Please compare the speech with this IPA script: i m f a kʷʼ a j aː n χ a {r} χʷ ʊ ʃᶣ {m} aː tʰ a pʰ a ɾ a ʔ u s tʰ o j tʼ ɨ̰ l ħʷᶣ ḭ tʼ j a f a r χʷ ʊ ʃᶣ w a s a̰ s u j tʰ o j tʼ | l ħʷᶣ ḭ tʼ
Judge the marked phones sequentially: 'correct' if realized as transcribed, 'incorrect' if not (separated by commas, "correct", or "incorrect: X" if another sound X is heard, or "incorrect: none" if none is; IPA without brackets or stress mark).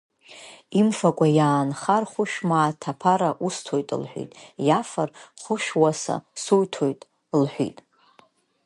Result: correct, correct